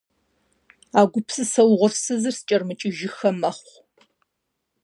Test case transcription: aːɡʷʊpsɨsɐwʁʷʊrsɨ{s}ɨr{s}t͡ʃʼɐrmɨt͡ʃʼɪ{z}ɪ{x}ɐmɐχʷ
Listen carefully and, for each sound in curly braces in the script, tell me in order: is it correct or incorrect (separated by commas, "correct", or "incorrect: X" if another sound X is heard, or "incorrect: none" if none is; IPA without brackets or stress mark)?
incorrect: z, correct, incorrect: ʒ, correct